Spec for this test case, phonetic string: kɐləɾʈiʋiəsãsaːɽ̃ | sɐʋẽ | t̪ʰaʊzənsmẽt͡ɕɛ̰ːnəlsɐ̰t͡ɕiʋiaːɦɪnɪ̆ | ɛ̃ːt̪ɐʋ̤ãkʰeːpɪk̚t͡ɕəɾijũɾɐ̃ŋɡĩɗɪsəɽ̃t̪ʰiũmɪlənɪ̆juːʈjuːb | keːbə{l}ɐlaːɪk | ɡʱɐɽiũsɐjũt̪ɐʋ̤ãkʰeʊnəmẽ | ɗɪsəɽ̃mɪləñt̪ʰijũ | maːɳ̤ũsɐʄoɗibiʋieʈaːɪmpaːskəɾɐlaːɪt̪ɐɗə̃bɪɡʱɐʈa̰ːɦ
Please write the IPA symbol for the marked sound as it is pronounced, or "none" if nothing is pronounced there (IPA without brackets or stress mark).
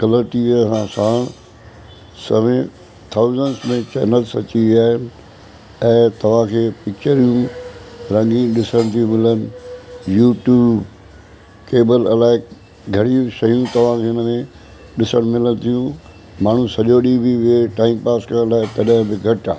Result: l